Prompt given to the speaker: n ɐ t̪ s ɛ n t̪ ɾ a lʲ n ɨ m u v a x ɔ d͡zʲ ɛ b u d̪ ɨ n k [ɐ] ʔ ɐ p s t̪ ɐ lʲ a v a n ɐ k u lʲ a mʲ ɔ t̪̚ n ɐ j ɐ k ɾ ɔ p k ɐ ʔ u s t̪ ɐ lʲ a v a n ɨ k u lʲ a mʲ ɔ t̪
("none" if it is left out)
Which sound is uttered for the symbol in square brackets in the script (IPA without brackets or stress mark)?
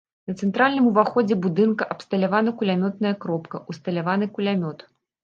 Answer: ɐ